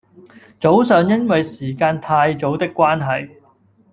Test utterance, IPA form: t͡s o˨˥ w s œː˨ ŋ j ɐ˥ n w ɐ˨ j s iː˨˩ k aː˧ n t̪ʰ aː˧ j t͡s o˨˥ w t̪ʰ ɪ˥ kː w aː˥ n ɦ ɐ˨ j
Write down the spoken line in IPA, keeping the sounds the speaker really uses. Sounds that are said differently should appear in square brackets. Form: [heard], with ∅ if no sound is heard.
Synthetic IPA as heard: t͡s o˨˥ w s œː˨ ŋ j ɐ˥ n w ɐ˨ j s iː˨˩ k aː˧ n t̪ʰ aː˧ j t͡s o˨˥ w [t̪] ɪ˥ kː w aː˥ n ɦ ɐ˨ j